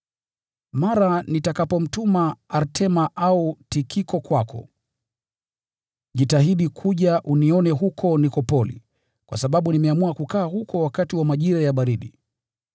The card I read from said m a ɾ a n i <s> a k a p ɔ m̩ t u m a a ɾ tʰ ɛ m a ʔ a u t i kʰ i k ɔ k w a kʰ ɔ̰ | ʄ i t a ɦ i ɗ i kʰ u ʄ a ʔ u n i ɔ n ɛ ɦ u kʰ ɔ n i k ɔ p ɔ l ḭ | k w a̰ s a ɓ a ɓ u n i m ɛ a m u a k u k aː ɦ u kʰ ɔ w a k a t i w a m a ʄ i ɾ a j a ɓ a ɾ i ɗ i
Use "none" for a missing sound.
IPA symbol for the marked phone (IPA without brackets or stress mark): t